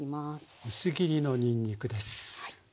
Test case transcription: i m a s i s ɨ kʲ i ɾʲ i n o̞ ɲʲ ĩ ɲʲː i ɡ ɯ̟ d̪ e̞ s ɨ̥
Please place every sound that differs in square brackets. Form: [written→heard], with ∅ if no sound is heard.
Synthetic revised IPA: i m a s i s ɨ [kʲ→ɡʲ] i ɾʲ i n o̞ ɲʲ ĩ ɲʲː i [ɡ→k] ɯ̟ d̪ e̞ s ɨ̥